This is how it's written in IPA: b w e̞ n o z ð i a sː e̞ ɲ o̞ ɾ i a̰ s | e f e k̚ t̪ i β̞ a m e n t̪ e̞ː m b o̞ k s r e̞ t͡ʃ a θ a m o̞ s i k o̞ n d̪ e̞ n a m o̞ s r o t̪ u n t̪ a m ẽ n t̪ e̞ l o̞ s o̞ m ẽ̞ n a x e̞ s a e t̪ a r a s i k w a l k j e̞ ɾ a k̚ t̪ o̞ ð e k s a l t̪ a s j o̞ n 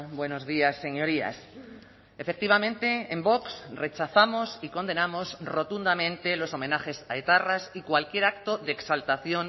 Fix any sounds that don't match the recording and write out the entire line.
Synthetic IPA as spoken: b w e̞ n o z ð i a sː e̞ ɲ o̞ ɾ i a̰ s | e f e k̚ t̪ i β̞ a m ẽ n t̪ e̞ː m b o̞ k s r e̞ t͡ʃ a θ a m o̞ s i k o̞ n d̪ e̞ n a m o̞ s r o t̪ u n d̪ a m ẽ n t̪ e̞ l o̞ s o̞ m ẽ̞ n a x e̞ s a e t̪ a r a s i k w a l k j e̞ ɾ a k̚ t̪ o̞ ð e k s a l t̪ a θ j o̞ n